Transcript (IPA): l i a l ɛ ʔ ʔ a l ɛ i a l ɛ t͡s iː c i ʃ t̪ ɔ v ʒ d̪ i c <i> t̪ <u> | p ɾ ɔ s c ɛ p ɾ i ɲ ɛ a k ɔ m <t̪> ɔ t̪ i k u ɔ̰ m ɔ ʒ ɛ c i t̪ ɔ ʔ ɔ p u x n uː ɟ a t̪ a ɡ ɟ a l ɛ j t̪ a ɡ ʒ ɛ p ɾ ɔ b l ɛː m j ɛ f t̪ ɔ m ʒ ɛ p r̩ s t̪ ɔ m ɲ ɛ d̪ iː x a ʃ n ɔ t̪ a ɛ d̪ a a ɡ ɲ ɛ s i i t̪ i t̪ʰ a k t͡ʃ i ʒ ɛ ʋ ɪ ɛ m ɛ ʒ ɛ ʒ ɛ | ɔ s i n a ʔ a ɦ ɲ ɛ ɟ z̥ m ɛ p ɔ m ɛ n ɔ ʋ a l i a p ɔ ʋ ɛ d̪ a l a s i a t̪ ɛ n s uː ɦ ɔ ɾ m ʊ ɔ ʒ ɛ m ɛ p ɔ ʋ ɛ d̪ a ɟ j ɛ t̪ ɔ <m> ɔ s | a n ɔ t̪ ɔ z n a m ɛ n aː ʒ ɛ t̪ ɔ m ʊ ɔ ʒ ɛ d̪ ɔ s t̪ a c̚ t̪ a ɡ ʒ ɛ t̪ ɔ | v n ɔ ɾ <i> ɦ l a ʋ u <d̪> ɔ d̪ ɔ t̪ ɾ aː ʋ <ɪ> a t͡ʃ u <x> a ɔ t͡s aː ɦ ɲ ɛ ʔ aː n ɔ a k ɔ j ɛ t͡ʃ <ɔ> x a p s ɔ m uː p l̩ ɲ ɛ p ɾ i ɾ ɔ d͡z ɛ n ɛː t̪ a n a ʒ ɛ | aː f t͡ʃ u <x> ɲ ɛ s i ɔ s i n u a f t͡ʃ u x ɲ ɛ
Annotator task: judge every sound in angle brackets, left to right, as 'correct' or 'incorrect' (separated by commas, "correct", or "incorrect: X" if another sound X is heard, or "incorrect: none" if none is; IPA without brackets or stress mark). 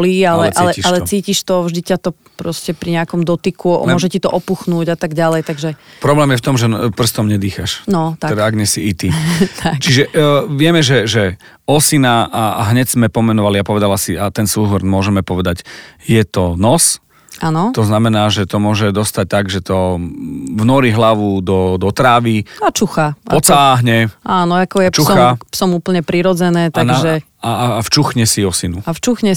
incorrect: a, incorrect: ɔ, incorrect: d̪, incorrect: n, correct, correct, incorrect: i, correct, incorrect: u, correct